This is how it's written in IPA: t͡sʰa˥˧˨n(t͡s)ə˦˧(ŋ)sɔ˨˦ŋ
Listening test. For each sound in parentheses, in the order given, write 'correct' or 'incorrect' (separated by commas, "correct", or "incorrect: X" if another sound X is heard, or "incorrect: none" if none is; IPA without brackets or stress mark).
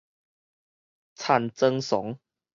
correct, correct